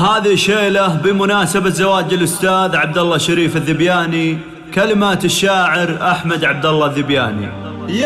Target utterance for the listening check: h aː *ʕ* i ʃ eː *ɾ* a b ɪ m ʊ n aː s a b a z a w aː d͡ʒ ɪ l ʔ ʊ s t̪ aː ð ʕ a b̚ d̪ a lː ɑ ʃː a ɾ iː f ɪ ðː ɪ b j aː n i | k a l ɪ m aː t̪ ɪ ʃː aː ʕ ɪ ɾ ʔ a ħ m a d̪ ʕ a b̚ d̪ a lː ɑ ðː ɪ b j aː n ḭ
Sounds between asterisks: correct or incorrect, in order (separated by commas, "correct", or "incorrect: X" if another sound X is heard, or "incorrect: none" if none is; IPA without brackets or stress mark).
incorrect: ð, incorrect: l